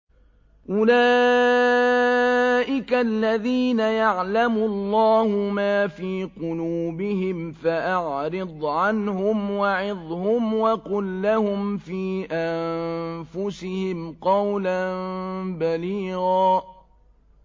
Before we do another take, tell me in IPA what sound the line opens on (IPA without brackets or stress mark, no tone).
ʔ